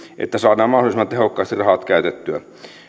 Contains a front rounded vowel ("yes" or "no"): yes